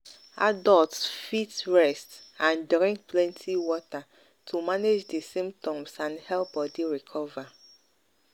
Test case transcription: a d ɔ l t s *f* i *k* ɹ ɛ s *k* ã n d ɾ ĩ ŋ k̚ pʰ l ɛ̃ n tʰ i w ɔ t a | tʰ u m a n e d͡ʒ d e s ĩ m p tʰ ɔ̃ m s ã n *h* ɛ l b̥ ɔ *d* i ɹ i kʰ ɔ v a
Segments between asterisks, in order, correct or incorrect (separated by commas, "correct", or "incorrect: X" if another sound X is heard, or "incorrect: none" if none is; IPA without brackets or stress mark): correct, incorrect: t, incorrect: t, correct, correct